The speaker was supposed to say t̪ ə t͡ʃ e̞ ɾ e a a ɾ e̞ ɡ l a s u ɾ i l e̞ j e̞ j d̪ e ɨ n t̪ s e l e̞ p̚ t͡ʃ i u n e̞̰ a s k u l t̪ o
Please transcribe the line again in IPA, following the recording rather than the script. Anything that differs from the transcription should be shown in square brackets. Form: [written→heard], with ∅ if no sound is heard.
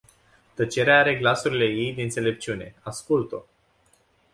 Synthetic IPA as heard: t̪ ə t͡ʃ e̞ ɾ e a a ɾ e̞ ɡ l a s u ɾ i l e̞ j e̞ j d̪ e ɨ n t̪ s e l e̞ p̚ t͡ʃ i u n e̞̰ a s k u l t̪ o